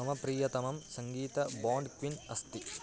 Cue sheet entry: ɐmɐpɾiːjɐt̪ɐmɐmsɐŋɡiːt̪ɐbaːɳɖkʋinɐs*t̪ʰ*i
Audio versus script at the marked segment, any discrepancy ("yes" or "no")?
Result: yes